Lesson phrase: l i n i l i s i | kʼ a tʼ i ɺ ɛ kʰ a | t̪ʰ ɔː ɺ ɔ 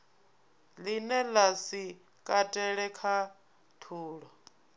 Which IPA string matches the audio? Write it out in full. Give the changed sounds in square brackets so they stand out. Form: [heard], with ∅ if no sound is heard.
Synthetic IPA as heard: l i n [ɛ] l [a] s i | kʼ a tʼ [ɛ] ɺ ɛ kʰ a | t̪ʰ [uː] ɺ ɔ